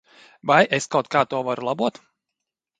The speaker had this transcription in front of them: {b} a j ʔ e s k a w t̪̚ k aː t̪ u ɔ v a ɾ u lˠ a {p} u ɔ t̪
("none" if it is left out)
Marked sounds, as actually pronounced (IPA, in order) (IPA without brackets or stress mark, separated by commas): v, b